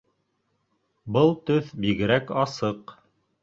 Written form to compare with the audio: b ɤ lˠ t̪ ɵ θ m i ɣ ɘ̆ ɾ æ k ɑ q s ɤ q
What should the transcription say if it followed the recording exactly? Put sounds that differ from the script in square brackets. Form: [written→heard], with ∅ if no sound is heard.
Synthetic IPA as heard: b ɤ lˠ t̪ ɵ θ [m→b] i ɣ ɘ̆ ɾ æ k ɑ [q→∅] s ɤ q